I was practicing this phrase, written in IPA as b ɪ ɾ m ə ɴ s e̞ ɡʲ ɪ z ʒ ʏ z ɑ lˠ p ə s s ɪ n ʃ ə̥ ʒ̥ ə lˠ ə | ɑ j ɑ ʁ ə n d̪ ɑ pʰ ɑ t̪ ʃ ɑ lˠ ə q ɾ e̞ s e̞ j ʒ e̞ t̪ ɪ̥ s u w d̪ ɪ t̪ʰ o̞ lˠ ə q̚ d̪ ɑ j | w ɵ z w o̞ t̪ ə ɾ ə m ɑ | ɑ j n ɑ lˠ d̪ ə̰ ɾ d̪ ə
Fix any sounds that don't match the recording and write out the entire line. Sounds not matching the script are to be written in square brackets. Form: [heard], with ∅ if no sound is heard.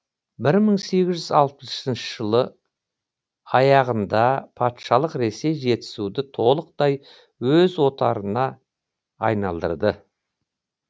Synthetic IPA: b ɪ ɾ m ə ɴ s e̞ ɡʲ ɪ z ʒ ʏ z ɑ lˠ p ə s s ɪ n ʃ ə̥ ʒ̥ ə lˠ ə | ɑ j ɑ ʁ ə n d̪ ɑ pʰ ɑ t̪ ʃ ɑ lˠ ə q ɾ e̞ s e̞ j ʒ e̞ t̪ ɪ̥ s u [∅] d̪ ɪ t̪ʰ o̞ lˠ ə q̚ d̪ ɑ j | w ɵ z w o̞ t̪ [ɑ] ɾ ə [n] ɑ | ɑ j n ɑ lˠ d̪ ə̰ ɾ d̪ ə